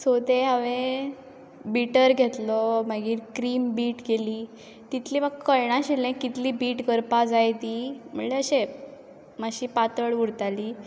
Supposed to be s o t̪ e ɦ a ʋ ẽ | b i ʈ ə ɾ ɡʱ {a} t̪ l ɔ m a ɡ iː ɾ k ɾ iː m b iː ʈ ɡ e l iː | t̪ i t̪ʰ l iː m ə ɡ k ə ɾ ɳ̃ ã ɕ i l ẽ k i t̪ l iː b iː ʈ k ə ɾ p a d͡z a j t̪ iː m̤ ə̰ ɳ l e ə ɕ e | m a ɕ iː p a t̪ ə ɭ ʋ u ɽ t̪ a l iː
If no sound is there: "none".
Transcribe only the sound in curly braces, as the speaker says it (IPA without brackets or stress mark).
e